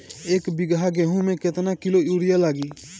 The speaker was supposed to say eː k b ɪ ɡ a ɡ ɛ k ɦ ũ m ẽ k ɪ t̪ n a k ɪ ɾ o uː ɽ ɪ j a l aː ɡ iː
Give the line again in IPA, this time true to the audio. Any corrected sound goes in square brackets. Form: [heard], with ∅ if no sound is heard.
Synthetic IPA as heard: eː k b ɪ ɡ a ɡ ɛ [∅] ɦ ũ m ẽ k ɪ t̪ n a k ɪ [l] o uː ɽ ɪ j a l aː ɡ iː